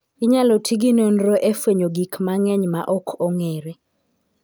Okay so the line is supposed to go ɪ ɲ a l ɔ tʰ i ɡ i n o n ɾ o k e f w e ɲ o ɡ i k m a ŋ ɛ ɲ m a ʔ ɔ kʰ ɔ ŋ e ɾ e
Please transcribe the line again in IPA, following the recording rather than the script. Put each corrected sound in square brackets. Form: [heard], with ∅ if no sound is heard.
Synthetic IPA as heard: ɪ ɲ a l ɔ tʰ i ɡ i n o n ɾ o [ʔ] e f w e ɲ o ɡ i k m a ŋ ɛ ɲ m a ʔ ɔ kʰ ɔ ŋ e ɾ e